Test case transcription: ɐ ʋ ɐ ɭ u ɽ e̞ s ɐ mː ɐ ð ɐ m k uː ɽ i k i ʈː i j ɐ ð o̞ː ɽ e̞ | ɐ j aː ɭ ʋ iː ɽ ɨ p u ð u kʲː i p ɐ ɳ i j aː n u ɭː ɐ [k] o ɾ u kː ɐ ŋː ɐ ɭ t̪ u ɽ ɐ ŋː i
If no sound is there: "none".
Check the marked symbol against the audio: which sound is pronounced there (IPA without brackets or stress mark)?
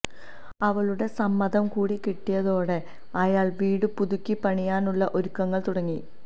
ʔ